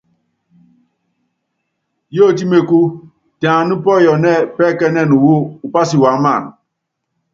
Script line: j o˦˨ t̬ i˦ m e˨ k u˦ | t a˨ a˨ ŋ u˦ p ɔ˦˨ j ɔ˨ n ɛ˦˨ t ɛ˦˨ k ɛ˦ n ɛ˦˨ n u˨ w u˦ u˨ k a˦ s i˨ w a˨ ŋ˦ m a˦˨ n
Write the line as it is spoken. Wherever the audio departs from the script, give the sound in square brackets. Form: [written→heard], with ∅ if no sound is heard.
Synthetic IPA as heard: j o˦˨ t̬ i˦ m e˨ k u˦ | t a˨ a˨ [ŋ→n] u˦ p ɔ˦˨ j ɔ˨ n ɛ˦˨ [t→p] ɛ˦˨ k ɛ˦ n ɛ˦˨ n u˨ w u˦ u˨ [k→p] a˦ s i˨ w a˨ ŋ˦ m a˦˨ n